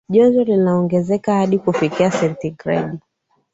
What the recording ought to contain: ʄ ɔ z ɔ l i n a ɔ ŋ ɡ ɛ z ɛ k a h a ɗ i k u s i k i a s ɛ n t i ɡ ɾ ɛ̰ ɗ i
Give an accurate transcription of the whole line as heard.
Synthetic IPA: ʄ ɔ z ɔ l i n a ɔ ŋ ɡ ɛ z ɛ k a h a ɗ i k u f i k i a s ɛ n t i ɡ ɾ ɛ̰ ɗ i